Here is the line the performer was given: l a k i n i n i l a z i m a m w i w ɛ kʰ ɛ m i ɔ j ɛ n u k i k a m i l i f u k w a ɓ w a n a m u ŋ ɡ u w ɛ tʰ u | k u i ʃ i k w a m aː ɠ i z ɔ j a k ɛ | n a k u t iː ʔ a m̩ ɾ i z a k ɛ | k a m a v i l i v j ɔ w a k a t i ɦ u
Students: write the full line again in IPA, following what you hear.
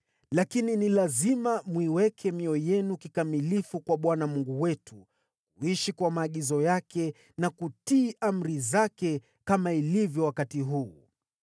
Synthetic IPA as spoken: l a k i n i n i l a z i m a m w i w ɛ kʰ ɛ m i ɔ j ɛ n u k i k a m i l i f u k w a ɓ w a n a m u ŋ ɡ u w ɛ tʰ u | k u i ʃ i k w a m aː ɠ i z ɔ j a k ɛ | n a k u t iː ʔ a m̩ ɾ i z a k ɛ | k a m a i l i v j ɔ w a k a t i ɦ uː